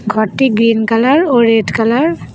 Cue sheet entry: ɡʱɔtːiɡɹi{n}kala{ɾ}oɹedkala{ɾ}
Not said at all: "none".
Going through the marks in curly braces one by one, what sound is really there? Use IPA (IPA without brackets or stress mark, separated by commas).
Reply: n, ɹ, ɹ